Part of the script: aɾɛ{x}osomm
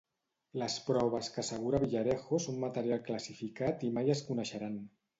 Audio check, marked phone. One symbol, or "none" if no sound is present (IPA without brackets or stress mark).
x